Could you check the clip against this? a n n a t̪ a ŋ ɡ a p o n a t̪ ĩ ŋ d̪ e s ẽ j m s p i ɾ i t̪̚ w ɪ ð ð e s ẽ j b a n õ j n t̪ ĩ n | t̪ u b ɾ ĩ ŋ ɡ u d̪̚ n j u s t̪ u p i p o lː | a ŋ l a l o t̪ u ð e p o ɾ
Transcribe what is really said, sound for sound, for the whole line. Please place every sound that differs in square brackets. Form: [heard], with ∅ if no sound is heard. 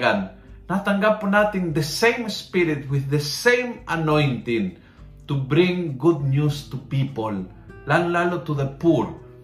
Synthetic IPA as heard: a n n a t̪ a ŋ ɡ a p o n a t̪ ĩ ŋ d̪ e s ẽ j m s p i ɾ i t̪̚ w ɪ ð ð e s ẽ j [m] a n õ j n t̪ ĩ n | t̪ u b ɾ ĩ ŋ ɡ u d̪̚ n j u s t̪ u p i p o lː | a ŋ l a l o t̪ u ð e p [u] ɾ